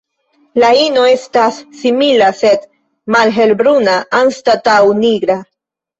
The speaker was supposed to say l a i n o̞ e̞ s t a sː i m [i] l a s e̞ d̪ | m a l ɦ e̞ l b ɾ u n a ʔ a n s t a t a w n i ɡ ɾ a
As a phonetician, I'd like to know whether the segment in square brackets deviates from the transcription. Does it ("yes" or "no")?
no